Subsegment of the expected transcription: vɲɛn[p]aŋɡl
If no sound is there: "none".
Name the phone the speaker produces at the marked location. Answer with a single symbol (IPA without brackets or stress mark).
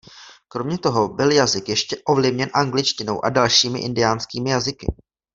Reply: ʔ